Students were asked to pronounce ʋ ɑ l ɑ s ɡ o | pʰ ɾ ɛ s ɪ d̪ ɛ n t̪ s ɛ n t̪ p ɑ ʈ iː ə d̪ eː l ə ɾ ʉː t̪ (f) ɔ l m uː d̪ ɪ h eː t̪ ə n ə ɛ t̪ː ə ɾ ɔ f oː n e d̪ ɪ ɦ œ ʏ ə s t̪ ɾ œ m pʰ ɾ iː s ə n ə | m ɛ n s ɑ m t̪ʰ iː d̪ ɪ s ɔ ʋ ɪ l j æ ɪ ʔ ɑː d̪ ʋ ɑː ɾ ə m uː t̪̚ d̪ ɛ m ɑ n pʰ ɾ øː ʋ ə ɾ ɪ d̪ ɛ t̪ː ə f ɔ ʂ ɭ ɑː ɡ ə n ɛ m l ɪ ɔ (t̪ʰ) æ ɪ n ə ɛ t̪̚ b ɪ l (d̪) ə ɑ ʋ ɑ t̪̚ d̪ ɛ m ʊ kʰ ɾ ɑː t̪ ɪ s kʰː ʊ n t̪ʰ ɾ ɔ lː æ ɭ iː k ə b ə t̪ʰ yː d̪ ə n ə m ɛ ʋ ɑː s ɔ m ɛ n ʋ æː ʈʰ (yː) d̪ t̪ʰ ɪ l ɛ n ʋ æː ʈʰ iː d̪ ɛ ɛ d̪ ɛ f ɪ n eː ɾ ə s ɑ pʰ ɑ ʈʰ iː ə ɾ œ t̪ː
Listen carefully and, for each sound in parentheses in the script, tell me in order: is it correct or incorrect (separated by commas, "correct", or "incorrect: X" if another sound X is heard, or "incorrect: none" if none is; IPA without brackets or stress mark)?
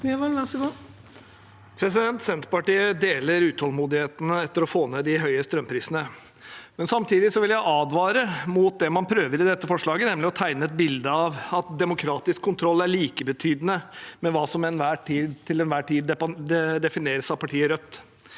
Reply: incorrect: h, correct, correct, incorrect: iː